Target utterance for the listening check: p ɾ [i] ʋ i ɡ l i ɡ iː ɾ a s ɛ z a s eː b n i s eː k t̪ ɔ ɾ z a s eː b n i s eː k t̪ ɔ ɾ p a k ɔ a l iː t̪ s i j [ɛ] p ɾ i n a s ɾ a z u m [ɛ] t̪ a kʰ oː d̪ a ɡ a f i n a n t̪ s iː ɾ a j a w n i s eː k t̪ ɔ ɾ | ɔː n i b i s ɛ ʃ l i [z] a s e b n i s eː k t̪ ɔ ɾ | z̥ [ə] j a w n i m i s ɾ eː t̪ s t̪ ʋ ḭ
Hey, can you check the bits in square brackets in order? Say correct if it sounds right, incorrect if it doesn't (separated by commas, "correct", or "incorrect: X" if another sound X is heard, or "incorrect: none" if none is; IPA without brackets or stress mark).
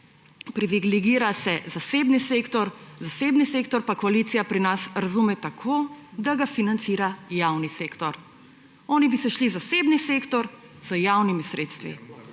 correct, incorrect: a, correct, correct, correct